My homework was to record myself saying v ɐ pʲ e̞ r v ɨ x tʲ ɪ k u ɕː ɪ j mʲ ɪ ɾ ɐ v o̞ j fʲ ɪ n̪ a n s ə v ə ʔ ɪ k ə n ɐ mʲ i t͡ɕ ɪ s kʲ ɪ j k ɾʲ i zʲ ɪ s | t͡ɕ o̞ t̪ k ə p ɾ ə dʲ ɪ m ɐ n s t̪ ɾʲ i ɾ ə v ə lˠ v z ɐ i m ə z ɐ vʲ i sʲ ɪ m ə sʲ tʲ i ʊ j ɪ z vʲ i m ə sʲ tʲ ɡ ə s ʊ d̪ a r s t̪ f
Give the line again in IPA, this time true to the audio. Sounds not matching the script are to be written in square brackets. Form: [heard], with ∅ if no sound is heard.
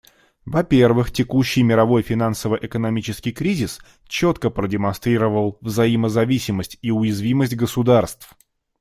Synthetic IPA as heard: v ɐ pʲ e̞ r v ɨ x tʲ ɪ k u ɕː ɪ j mʲ ɪ ɾ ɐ v o̞ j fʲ ɪ n̪ a n s ə v ə ʔ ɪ k ə n ɐ mʲ i t͡ɕ ɪ s kʲ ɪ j k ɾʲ i zʲ ɪ s | t͡ɕ o̞ t̪ k ə p ɾ ə dʲ ɪ m ɐ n s t̪ ɾʲ i ɾ ə v ə lˠ v z ɐ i m ə z ɐ vʲ i sʲ ɪ m ə sʲ tʲ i ʊ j ɪ z vʲ i m ə sʲ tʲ ɡ ə s ʊ d̪ a r s t̪ f